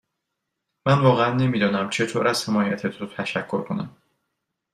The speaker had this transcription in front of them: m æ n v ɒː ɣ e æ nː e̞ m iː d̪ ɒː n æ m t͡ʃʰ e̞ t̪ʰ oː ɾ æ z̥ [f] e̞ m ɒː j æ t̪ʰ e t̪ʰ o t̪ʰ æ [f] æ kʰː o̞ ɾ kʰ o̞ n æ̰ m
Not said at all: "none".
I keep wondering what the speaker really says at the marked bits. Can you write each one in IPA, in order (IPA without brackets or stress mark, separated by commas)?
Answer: h, ʃ